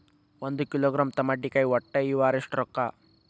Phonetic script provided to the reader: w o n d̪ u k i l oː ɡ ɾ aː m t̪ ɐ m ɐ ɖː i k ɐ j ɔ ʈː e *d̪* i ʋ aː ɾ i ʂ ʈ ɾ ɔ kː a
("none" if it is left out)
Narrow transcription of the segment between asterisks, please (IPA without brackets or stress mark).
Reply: none